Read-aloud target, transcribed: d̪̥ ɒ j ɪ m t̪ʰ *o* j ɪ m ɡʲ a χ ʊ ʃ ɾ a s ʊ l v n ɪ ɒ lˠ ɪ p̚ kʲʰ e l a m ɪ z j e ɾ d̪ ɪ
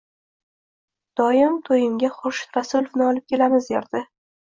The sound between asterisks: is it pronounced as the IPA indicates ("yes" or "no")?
yes